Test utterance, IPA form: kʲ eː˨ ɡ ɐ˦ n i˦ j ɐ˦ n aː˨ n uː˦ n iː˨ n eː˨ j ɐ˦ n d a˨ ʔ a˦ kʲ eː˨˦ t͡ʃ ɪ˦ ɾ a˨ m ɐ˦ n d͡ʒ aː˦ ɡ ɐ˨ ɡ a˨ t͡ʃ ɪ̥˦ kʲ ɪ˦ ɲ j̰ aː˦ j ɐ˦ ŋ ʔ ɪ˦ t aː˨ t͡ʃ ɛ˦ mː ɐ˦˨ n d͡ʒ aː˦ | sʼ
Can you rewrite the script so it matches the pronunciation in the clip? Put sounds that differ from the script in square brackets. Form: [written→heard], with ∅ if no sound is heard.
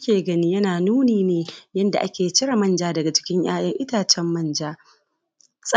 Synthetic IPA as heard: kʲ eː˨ ɡ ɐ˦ n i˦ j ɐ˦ n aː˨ n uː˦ n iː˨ n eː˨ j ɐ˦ n d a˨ ʔ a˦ kʲ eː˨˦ t͡ʃ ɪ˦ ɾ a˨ m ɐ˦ n d͡ʒ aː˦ [ɡ→d] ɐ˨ ɡ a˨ t͡ʃ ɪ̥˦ kʲ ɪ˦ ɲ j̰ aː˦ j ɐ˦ ŋ ʔ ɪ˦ t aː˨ t͡ʃ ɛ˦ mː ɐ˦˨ n d͡ʒ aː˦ | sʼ